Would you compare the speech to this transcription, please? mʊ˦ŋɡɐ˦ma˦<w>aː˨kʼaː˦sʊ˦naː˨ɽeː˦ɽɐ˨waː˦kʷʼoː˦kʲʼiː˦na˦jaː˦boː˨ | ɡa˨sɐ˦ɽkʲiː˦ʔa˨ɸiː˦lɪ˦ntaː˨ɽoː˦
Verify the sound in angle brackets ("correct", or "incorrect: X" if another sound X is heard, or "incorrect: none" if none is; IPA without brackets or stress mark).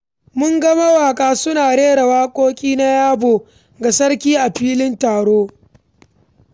correct